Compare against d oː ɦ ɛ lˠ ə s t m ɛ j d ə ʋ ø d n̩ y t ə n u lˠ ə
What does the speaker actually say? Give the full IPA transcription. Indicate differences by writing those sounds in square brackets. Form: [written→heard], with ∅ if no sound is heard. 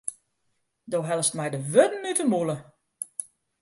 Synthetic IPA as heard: d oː ɦ ɛ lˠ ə s t m ɛ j d ə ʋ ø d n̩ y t ə [n→m] u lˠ ə